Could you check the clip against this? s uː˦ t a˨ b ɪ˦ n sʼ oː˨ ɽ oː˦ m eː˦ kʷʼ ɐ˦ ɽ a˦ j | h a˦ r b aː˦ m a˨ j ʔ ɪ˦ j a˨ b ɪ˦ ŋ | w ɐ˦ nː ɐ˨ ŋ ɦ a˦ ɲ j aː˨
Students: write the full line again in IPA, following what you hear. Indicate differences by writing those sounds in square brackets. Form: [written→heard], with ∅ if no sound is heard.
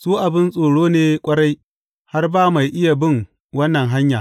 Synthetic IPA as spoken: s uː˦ [t→ʔ] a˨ b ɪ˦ n sʼ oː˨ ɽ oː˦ [m→n] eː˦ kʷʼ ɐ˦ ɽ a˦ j | h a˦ r b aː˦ m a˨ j ʔ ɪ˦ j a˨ b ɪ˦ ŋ | w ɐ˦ nː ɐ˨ ŋ ɦ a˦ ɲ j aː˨